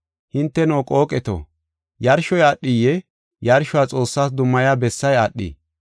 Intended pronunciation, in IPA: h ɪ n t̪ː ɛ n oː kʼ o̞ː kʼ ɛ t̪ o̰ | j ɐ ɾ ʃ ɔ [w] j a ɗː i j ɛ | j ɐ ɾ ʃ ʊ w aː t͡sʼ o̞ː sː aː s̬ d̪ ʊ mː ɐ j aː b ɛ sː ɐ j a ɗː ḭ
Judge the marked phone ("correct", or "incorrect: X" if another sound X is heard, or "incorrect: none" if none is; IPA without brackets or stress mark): incorrect: none